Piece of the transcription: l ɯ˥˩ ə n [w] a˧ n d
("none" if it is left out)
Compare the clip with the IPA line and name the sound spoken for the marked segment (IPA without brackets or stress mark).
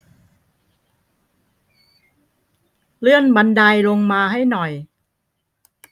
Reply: b